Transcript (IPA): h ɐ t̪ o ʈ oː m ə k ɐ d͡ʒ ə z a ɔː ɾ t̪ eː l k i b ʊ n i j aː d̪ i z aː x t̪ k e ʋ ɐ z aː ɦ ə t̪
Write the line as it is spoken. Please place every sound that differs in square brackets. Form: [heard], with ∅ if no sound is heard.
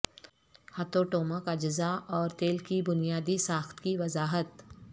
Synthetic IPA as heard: h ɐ t̪ o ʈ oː m ə k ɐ d͡ʒ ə z a ɔː ɾ t̪ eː l k i b ʊ n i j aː d̪ i [s] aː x t̪ k [i] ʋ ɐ z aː ɦ ə t̪